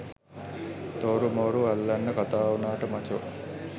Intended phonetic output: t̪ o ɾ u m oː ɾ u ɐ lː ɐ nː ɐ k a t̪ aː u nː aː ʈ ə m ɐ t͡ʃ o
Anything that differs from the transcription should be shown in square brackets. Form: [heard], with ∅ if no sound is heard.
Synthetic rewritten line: t̪ o ɾ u m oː ɾ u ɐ lː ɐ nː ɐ k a t̪ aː u [n] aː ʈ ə m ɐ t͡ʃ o